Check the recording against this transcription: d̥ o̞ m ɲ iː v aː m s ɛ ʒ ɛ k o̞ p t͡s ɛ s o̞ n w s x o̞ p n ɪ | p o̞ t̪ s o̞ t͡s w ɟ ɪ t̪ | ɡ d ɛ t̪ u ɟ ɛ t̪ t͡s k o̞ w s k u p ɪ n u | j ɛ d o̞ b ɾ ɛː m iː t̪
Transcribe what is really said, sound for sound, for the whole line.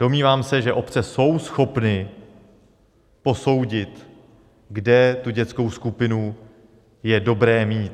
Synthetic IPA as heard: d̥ o̞ m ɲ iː v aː m s ɛ ʒ ɛ ʔ o̞ p t͡s ɛ s o̞ w s x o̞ p n ɪ | p o̞ s o̞ w ɟ ɪ t̪ | ɡ d ɛ t̪ u ɟ ɛ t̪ t͡s k o̞ w s k u p ɪ n u | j ɛ d o̞ b ɾ ɛː m iː t̪

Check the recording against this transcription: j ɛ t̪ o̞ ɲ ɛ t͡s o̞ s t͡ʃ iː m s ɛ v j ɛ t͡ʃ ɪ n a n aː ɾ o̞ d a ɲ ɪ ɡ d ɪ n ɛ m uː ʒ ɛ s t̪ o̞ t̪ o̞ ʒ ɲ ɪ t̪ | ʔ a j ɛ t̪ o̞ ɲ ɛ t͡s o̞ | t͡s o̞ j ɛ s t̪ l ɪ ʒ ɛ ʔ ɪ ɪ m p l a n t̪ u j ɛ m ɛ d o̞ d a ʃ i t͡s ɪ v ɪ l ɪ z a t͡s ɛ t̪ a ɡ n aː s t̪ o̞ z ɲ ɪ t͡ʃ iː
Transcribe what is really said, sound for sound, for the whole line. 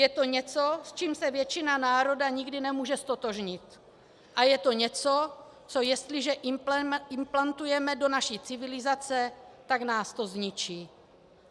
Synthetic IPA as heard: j ɛ t̪ o̞ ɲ ɛ t͡s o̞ s t͡ʃ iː m s ɛ v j ɛ t͡ʃ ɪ n a n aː ɾ o̞ d a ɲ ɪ ɡ d ɪ n ɛ m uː ʒ ɛ s t̪ o̞ t̪ o̞ ʒ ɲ ɪ t̪ | ʔ a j ɛ t̪ o̞ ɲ ɛ t͡s o̞ | t͡s o̞ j ɛ s t̪ l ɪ ʒ ɛ ʔ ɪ ɪ m p l a n t̪ u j ɛ m ɛ d o̞ n a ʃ i t͡s ɪ v ɪ l ɪ z a t͡s ɛ t̪ a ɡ n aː s t̪ o̞ z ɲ ɪ t͡ʃ iː

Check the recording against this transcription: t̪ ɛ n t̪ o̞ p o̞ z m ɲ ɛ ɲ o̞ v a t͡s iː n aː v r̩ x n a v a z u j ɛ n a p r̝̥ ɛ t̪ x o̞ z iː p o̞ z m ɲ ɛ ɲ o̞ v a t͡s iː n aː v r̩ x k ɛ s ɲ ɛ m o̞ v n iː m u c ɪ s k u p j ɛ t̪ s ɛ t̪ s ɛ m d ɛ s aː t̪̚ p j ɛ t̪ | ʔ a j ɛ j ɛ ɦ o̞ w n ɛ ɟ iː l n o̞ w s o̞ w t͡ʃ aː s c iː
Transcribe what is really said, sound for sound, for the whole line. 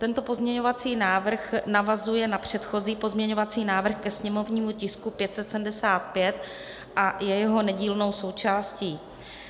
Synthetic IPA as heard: t̪ ɛ n t̪ o̞ p o̞ z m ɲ ɛ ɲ o̞ v a t͡s iː n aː v r̩ x n a v a z u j ɛ n a p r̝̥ ɛ t̪ x o̞ z iː p o̞ z m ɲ ɛ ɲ o̞ v a t͡s iː n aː v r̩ x k ɛ s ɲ ɛ m o̞ v ɲ iː m u c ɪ s k u p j ɛ t̪ s ɛ t̪ s ɛ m d ɛ s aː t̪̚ p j ɛ t̪ | ʔ a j ɛ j ɛ ɦ o̞ n ɛ ɟ iː l n o̞ w s o̞ w t͡ʃ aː s c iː

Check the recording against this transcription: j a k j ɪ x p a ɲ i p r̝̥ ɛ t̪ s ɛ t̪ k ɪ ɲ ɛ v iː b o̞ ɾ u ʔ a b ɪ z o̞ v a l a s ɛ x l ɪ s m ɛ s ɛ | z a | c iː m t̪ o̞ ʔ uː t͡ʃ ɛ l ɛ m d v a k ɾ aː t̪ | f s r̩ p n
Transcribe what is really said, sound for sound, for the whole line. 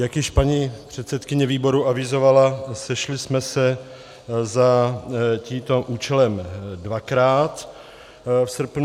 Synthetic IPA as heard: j a k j ɪ ʃ p a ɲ i p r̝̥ ɛ t̪ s ɛ t̪ k ɪ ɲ ɛ v iː b o̞ ɾ u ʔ a v ɪ z o̞ v a l a s ɛ ʃ l ɪ s m ɛ s ɛ | z a | c iː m t̪ o̞ ʔ uː t͡ʃ ɛ l ɛ m d v a k ɾ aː t̪ | f s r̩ p n

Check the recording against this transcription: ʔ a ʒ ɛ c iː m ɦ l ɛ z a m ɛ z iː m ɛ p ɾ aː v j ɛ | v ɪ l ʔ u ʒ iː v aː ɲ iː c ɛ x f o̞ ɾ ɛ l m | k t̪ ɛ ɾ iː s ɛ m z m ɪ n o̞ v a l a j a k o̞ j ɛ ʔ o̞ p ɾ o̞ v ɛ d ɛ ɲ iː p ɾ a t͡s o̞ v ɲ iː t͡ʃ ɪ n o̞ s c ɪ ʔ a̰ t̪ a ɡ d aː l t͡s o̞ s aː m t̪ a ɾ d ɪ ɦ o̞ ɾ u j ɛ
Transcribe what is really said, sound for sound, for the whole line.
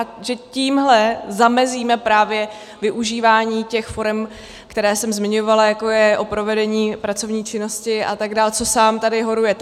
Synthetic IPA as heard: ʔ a ʒ ɛ c iː m ɦ l ɛ z a m ɛ z iː m ɛ p ɾ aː v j ɛ | v ɪ ʔ u ʒ iː v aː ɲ iː c ɛ x f o̞ ɾ ɛ m | k t̪ ɛ ɾ ɛː s ɛ m z m ɪ ɲ o̞ v a l a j a k o̞ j ɛ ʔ o̞ p ɾ o̞ v ɛ d ɛ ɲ iː p ɾ a t͡s o̞ v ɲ iː t͡ʃ ɪ n o̞ s c ɪ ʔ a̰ t̪ a ɡ d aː l t͡s o̞ s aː m t̪ a d ɪ ɦ o̞ ɾ u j ɛ

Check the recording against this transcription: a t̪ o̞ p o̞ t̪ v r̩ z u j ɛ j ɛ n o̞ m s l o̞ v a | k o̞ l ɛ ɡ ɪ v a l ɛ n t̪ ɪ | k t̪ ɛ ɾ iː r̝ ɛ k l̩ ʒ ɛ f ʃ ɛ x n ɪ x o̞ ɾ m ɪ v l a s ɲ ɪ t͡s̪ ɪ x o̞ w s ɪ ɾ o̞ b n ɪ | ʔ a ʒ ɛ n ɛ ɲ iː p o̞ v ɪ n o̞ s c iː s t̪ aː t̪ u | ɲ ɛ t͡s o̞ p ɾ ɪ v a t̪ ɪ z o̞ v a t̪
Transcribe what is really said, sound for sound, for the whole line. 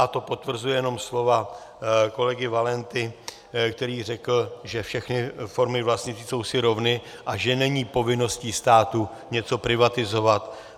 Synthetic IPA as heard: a t̪ o̞ p o̞ t̪ v r̩ z u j ɛ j ɛ n o̞ m s l o̞ v a | k o̞ l ɛ ɡ ɪ v a l ɛ n t̪ ɪ | k t̪ ɛ ɾ iː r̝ ɛ k l̩ ʒ ɛ f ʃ ɛ x n ɪ f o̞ ɾ m ɪ v l a s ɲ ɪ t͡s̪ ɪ s o̞ w s ɪ ɾ o̞ v n ɪ | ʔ a ʒ ɛ n ɛ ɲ iː p o̞ v ɪ n o̞ s c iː s t̪ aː t̪ u | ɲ ɛ t͡s o̞ p ɾ ɪ v a t̪ ɪ z o̞ v a t̪

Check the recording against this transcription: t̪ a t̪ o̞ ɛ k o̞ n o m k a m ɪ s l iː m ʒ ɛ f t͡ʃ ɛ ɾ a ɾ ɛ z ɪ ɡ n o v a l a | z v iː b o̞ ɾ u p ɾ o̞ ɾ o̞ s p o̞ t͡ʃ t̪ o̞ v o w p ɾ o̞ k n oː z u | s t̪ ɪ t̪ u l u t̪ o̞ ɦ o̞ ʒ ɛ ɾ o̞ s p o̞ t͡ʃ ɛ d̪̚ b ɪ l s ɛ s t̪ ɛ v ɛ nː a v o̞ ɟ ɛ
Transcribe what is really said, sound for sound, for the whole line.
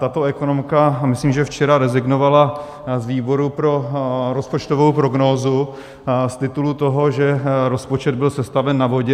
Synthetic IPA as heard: t̪ a t̪ o̞ ɛ k o̞ n o m k a m ɪ s l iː m ʒ ɛ f t͡ʃ ɛ ɾ a ɾ ɛ z ɪ ɡ n o v a l a | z v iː b o̞ ɾ u p ɾ o̞ ɾ o̞ s p o̞ t͡ʃ t̪ o̞ v o w p ɾ o̞ ɡ n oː z u | s t̪ ɪ t̪ u l u t̪ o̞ ɦ o̞ ʒ ɛ ɾ o̞ s p o̞ t͡ʃ ɛ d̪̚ b ɪ l s ɛ s t̪ a v ɛ nː a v o̞ ɟ ɛ

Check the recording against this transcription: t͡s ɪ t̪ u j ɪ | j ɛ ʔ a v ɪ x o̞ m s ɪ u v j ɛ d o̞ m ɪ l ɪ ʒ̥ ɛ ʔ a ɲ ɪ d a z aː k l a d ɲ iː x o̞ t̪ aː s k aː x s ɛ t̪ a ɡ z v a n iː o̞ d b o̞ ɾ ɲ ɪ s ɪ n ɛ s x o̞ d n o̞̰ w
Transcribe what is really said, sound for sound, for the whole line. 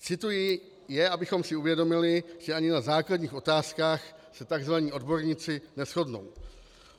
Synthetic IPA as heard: t͡s ɪ t̪ u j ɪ | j ɛ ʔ a b ɪ x o̞ m s ɪ u v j ɛ d o̞ m ɪ l ɪ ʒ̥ ɛ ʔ a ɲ ɪ n a z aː k l a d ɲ iː x o̞ t̪ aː s k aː x s ɛ t̪ a ɡ z v a ɲ iː o̞ d b o̞ ɾ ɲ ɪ t͡s ɪ n ɛ s x o̞ d n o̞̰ w

